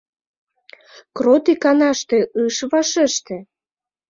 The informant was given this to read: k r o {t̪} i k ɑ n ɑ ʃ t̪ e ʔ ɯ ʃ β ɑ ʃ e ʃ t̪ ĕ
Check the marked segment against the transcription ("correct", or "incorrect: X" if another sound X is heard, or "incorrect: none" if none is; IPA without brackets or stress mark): correct